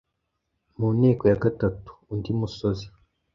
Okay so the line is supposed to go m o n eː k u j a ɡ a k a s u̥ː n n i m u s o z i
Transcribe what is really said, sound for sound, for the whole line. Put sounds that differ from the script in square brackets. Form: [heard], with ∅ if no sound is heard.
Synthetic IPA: m [u] n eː k [o] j a ɡ a [t] a [t] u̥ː n [d] i m u s o z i

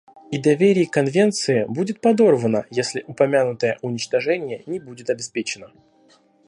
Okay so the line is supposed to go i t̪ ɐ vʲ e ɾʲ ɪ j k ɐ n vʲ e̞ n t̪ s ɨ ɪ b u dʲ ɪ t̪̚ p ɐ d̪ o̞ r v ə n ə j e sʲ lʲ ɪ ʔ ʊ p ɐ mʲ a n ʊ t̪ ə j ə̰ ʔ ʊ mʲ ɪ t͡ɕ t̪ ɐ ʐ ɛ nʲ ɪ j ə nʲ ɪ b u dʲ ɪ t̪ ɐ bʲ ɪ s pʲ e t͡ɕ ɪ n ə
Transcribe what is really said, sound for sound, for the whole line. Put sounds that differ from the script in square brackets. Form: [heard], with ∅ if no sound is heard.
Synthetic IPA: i [d̪] ɐ vʲ e ɾʲ ɪ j k ɐ n vʲ e̞ n t̪ s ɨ ɪ b u dʲ ɪ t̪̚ p ɐ d̪ o̞ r v ə n ə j e sʲ lʲ ɪ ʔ ʊ p ɐ mʲ a n ʊ t̪ ə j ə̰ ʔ ʊ [nʲ] ɪ t͡ɕ t̪ ɐ ʐ ɛ nʲ ɪ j ə nʲ ɪ b u dʲ ɪ t̪ ɐ bʲ ɪ s pʲ e t͡ɕ ɪ n ə

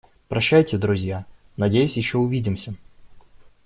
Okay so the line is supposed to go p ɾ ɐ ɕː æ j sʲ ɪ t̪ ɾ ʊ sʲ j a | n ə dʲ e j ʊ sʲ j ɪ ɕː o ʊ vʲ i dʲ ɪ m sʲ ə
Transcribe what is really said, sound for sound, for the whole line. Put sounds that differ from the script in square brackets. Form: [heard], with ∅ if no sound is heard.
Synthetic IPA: p ɾ ɐ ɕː æ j [tʲ] ɪ [d̪] ɾ ʊ [zʲ] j a | n [ɐ] dʲ e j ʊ sʲ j ɪ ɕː o ʊ vʲ i dʲ ɪ m sʲ ə

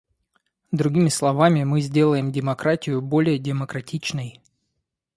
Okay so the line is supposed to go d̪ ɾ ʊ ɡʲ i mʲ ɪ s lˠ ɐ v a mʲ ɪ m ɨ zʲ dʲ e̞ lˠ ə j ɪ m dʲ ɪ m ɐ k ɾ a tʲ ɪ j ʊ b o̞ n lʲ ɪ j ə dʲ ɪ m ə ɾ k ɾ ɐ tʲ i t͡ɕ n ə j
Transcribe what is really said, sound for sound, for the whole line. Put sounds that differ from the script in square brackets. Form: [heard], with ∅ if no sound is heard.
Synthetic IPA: d̪ ɾ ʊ ɡʲ i mʲ ɪ s lˠ ɐ v a mʲ ɪ m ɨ zʲ dʲ e̞ lˠ ə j ɪ m dʲ ɪ m ɐ k ɾ a tʲ ɪ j ʊ b o̞ [∅] lʲ ɪ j ə dʲ ɪ m ə [∅] k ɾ ɐ tʲ i t͡ɕ n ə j

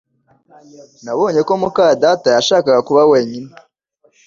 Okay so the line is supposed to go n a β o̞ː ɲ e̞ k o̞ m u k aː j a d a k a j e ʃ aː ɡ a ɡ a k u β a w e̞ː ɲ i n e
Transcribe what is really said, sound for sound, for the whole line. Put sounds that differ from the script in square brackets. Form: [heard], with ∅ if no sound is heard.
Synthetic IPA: n a β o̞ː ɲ e̞ k o̞ m u k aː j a d a [t] a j [a] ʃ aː [k] a ɡ a k u β a w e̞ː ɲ i n e

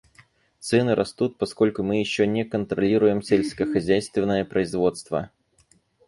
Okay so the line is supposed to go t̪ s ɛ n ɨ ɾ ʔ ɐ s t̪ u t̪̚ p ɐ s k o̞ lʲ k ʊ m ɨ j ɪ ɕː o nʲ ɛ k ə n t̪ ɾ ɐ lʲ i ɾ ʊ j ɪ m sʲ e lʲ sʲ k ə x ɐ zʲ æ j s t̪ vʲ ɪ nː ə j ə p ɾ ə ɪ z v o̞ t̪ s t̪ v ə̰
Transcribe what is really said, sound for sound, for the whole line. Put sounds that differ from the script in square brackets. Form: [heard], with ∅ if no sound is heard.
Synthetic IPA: t̪ s ɛ n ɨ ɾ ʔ ɐ s t̪ u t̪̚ p ɐ s k o̞ lʲ k ʊ m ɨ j ɪ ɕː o nʲ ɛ k ə n t̪ ɾ ɐ lʲ i ɾ ʊ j ɪ m sʲ e lʲ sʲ k ə x ɐ zʲ æ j s t̪ vʲ ɪ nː ə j ə p ɾ ə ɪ z v o̞ t̪ s t̪ v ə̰

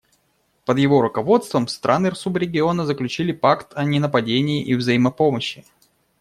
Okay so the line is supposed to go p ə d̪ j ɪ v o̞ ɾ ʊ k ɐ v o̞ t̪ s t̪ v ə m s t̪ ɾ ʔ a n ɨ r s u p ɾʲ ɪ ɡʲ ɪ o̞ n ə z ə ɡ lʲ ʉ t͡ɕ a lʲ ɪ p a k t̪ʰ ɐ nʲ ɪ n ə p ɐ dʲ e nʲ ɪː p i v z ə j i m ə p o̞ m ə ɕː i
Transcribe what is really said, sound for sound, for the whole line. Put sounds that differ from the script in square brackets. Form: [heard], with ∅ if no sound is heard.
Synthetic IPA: p ə d̪ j ɪ v o̞ ɾ ʊ k ɐ v o̞ t̪ s t̪ v ə m s t̪ ɾ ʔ a n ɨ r s u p ɾʲ ɪ ɡʲ ɪ o̞ n ə z ə [k] lʲ ʉ t͡ɕ [i] lʲ ɪ p a k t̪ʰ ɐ nʲ ɪ n ə p ɐ dʲ e nʲ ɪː [ʔ] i v z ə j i m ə p o̞ m ə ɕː [ɪ]

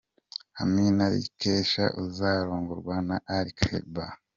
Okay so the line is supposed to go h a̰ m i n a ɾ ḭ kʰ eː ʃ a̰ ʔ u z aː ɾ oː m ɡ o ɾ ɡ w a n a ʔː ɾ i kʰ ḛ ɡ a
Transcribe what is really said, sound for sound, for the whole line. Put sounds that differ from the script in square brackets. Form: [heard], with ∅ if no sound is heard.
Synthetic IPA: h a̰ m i n a ɾ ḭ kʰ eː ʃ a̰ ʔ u z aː ɾ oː [ŋ] ɡ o ɾ ɡ w a n a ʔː ɾ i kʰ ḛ [b] a

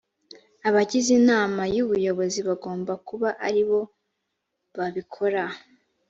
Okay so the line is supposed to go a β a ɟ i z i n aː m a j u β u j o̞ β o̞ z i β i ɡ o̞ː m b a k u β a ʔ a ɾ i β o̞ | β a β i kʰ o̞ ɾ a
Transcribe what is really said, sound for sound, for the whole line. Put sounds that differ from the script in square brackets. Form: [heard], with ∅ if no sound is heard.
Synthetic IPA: a β a ɟ i z i n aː m a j u β u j o̞ β o̞ z i β [a] ɡ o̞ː m b a k u β a ʔ a ɾ i β o̞ | β a β i kʰ o̞ ɾ a

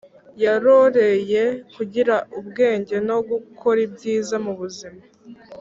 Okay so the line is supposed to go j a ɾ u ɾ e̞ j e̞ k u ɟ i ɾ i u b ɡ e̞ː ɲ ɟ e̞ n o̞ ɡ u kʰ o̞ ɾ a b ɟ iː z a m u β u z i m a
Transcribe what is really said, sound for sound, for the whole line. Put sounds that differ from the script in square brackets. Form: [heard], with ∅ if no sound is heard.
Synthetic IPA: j a ɾ [o] ɾ e̞ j e̞ k u ɟ i ɾ [a] u b ɡ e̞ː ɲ ɟ e̞ n o̞ ɡ u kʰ o̞ ɾ [i] b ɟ iː z a m u β u z i m a

